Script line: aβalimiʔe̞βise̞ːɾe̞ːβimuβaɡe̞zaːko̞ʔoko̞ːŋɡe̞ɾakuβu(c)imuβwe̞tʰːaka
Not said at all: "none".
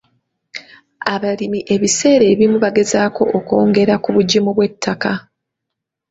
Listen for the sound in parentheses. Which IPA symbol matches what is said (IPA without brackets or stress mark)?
ɟ